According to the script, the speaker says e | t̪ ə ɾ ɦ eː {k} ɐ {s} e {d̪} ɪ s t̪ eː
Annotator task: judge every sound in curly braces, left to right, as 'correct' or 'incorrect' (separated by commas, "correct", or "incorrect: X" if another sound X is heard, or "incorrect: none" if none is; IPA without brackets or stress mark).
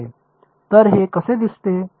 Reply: correct, correct, correct